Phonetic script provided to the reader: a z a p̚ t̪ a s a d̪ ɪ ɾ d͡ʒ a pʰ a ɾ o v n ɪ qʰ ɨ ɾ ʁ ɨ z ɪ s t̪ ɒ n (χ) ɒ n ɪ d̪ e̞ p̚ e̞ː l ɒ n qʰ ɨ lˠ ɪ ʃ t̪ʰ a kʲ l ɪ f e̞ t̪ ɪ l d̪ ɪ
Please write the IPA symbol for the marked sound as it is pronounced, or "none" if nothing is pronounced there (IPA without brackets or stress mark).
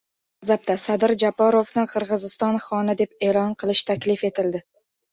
χ